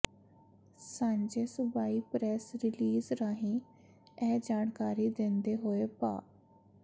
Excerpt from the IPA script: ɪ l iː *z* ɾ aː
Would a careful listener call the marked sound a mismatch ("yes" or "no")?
no